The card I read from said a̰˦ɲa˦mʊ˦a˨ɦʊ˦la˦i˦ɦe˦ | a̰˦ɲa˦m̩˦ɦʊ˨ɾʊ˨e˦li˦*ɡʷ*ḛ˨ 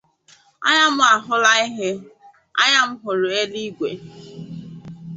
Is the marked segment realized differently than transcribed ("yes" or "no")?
no